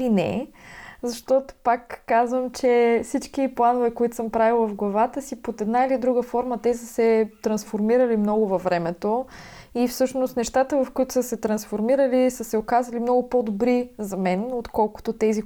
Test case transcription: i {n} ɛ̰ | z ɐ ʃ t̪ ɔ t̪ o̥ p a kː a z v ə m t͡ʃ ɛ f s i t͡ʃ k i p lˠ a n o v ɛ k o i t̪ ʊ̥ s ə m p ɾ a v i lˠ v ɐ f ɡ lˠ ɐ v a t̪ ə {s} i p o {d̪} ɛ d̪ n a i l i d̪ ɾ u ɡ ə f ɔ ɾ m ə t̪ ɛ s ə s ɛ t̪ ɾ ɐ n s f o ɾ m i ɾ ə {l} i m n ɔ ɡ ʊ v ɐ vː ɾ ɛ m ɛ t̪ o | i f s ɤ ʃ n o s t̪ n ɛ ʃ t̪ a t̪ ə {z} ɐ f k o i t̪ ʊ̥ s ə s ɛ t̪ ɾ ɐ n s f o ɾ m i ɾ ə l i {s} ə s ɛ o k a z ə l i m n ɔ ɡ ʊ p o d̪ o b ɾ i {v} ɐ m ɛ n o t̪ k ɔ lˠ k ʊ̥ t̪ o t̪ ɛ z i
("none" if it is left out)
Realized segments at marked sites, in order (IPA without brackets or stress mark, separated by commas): n, s, t̪, l, v, s, z